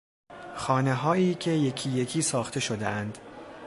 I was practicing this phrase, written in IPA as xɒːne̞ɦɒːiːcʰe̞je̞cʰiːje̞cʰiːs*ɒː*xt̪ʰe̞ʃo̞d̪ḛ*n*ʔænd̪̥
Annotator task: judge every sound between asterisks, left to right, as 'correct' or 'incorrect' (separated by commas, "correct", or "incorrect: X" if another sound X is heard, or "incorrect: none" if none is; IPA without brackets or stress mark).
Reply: correct, incorrect: none